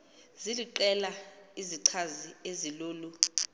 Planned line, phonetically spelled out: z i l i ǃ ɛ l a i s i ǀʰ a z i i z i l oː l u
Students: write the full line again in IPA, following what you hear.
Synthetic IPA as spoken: z i l i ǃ ɛ l a i z i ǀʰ a z i e z i l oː l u

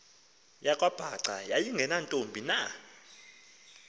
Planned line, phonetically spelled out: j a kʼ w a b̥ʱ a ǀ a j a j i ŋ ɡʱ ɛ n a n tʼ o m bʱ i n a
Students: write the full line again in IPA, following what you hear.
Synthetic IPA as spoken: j a kʼ w a b̥ʱ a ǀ a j a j i ŋ ɡʱ ɛ n a n tʼ o m bʱ i n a

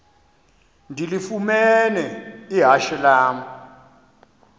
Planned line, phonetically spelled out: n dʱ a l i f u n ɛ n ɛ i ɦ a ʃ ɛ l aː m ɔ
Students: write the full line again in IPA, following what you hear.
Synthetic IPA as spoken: n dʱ i l i f u m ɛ n ɛ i ɦ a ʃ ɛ l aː m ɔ

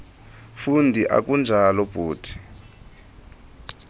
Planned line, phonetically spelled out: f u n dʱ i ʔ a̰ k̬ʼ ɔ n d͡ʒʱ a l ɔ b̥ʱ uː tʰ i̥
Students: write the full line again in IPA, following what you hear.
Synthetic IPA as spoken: f u n dʱ i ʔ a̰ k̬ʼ u n d͡ʒʱ a l ɔ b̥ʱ uː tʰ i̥

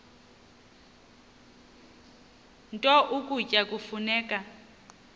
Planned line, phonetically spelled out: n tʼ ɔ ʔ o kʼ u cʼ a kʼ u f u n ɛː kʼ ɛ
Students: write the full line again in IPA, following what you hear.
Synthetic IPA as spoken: n tʼ ɔ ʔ u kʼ u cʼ a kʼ u f u n ɛː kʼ a

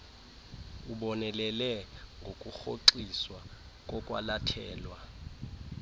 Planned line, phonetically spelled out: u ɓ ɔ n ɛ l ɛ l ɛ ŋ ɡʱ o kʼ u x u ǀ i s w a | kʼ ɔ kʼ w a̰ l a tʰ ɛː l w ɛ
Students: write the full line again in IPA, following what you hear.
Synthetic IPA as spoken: u ɓ ɔ n ɛ l ɛ l ɛ ŋ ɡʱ o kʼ u x o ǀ i s w a | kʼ ɔ kʼ w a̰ l a tʰ ɛː l w a

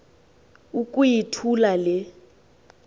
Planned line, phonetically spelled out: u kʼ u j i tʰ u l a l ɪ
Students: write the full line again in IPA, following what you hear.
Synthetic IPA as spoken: u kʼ u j i tʰ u l a l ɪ

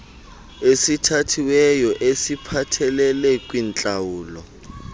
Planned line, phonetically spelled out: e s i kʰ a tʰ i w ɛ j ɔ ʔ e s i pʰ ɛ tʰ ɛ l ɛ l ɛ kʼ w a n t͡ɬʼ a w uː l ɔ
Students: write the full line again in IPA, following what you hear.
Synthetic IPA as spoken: e s i tʰ a tʰ i w ɛ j ɔ ʔ e s i pʰ a tʰ ɛ l ɛ l ɛ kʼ w i n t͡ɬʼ a w uː l ɔ

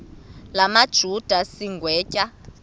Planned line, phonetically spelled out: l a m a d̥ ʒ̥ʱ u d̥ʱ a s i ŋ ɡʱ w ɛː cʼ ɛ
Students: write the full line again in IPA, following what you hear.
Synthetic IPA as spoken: l a m a d̥ ʒ̥ʱ u d̥ʱ a s i ŋ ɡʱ w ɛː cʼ a

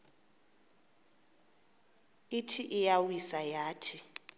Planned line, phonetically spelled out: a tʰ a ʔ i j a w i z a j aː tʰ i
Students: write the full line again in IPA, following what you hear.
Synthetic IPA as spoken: i tʰ i ʔ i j a w i s a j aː tʰ i

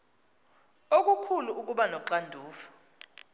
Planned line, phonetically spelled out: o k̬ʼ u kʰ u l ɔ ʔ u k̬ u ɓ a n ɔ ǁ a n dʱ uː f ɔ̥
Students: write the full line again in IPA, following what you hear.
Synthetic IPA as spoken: o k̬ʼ u kʰ u l u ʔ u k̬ u ɓ a n ɔ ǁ a n dʱ uː f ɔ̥

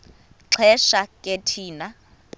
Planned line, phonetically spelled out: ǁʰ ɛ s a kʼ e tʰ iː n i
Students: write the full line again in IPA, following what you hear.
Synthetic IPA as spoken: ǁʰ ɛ ʃ a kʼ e tʰ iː n a

